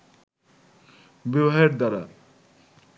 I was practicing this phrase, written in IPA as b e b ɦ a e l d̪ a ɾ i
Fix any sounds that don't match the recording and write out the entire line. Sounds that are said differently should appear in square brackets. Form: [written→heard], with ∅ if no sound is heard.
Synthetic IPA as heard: b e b ɦ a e [l→ɾ] d̪ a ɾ [i→a]